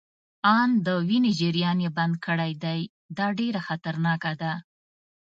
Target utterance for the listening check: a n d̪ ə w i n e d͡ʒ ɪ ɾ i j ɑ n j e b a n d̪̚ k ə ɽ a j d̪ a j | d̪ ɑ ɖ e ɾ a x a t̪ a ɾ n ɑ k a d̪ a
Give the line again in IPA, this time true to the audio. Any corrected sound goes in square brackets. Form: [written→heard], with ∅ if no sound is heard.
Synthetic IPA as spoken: [a→ɑ] n d̪ ə w i n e d͡ʒ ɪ ɾ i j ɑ n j e b a n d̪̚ k ə ɽ a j d̪ a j | d̪ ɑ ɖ e ɾ a x a t̪ a ɾ n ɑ k a d̪ a